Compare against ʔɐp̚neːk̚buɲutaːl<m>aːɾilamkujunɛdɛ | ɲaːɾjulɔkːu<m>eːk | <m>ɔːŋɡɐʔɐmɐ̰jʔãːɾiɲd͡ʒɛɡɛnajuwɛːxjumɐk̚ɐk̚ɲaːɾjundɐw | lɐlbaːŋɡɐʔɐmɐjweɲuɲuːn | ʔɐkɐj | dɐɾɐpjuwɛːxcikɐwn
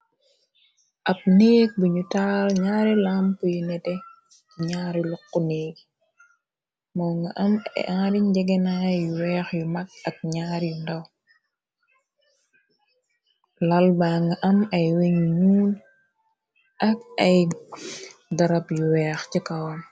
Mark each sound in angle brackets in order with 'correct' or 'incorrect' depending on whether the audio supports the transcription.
incorrect, incorrect, correct

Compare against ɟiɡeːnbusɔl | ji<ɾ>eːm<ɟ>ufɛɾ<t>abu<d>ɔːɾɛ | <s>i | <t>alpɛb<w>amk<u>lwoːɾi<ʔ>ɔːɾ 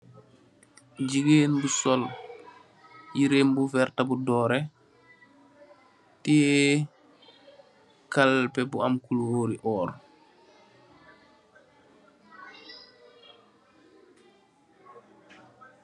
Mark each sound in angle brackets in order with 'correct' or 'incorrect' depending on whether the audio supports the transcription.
correct, incorrect, correct, correct, incorrect, incorrect, incorrect, correct, correct

